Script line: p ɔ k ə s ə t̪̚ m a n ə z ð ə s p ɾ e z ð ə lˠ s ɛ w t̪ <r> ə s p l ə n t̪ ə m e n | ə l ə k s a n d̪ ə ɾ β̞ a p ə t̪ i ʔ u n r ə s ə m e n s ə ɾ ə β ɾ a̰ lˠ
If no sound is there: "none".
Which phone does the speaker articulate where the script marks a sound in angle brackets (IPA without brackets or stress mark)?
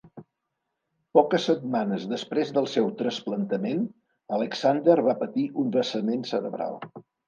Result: ɾ